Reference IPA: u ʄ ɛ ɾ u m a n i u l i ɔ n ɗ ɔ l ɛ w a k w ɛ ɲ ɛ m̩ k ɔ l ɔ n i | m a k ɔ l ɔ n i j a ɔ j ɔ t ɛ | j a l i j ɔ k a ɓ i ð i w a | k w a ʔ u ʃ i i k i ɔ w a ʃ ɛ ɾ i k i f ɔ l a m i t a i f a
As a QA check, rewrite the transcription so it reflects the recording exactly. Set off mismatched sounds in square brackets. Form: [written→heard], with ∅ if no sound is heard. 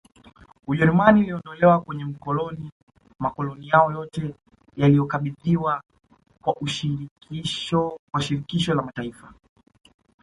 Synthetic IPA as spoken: u ʄ ɛ ɾ u m a n i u l i ɔ n [ɗ→d] ɔ l ɛ w a k w ɛ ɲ ɛ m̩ k ɔ l ɔ n i | m a k ɔ l ɔ n i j a ɔ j ɔ t ɛ | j a l i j ɔ k a ɓ i ð i w a | k w a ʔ u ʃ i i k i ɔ w a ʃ [ɛ→i] ɾ i k i [f→ʃ] ɔ l a m [i→a] t a i f a

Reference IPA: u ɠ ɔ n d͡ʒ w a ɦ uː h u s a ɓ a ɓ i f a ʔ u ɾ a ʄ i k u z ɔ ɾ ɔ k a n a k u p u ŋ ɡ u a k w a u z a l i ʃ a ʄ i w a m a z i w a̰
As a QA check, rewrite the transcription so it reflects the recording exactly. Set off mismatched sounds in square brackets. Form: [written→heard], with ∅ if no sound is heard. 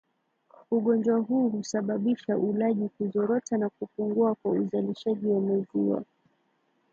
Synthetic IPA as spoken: u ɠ ɔ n d͡ʒ w a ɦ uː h u s a ɓ a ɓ i [f→ʃ] a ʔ u [ɾ→l] a ʄ i k u z ɔ ɾ ɔ [k→t] a n a k u p u ŋ ɡ u a k w a u z a l i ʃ a ʄ i w a m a z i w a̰

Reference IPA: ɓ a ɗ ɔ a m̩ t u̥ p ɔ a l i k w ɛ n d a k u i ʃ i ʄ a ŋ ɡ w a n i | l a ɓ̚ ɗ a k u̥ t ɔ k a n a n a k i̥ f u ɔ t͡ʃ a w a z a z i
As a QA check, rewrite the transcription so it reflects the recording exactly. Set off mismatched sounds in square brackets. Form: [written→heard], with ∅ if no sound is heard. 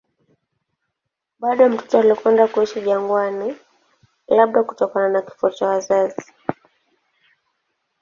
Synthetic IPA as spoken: ɓ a ɗ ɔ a m̩ t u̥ [p→t] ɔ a l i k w ɛ n d a k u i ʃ i ʄ a ŋ ɡ w a n i | l a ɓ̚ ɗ a k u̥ t ɔ k a n a n a k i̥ f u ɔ t͡ʃ a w a z a z i

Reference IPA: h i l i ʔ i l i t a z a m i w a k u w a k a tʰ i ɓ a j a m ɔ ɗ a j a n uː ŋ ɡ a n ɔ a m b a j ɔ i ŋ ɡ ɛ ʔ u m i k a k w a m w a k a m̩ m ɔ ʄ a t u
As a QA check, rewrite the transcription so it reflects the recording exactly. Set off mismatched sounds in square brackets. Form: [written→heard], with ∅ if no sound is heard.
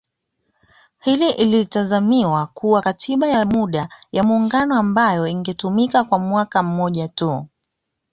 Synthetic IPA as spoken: h i l i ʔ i l i t a z a m i w a k u w a k a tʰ i ɓ a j a m [ɔ→u] ɗ a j a [n→m] uː ŋ ɡ a n ɔ a m b a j ɔ i ŋ ɡ ɛ [ʔ→t] u m i k a k w a m w a k a m̩ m ɔ ʄ a t u

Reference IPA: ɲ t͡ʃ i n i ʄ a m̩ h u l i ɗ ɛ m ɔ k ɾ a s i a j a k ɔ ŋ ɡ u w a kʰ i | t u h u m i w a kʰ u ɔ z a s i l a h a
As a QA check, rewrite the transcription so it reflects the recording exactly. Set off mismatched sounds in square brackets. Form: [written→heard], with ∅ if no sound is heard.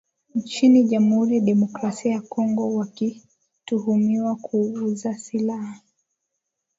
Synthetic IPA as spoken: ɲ t͡ʃ i n i ʄ a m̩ h u [l→ɾ] i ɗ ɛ m ɔ k ɾ a s i a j a k ɔ ŋ ɡ [u→ɔ] w a [kʰ→k] i | t u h u m i w a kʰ u [ɔ→u] z a s i l a h a

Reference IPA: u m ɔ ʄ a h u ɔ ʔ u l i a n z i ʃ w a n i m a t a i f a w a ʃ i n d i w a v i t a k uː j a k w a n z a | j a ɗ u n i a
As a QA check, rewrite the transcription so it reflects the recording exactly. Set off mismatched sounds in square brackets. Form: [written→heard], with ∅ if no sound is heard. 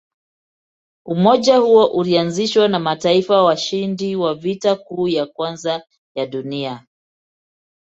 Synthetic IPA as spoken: u m ɔ ʄ a h u ɔ ʔ u l i a n z i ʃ w a n [i→a] m a t a i f a w a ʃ i n d i w a v i t a k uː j a k w a n z a | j a ɗ u n i a

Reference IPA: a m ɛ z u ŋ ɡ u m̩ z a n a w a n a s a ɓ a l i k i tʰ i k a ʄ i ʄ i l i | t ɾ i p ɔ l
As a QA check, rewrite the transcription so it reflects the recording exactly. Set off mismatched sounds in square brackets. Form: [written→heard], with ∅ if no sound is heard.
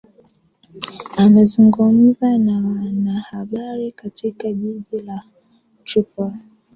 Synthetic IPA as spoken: a m ɛ z u ŋ ɡ u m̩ z a n a w a n a [s→h] a ɓ a [l→ɾ] i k [i→a] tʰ i k a ʄ i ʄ i l [i→a] | t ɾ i p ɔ l

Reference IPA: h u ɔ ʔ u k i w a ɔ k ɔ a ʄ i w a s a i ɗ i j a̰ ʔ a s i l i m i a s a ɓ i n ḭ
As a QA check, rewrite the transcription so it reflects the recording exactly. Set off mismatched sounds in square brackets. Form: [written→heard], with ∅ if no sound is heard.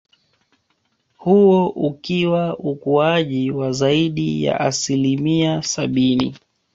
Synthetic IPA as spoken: h u ɔ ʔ u k i w a [ɔ→u] k [ɔ→u] a ʄ i w a [s→z] a i ɗ i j a̰ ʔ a s i l i m i a s a ɓ i n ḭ

